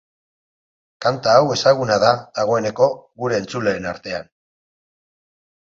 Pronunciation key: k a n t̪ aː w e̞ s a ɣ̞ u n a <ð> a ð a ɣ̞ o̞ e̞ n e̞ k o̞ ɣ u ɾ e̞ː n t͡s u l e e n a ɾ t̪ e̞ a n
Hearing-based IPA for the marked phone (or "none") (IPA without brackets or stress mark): ð